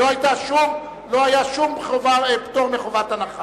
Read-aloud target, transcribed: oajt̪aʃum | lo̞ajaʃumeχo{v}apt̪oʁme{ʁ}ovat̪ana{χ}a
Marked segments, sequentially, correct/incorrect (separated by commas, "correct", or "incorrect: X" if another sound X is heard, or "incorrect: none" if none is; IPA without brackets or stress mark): correct, incorrect: χ, correct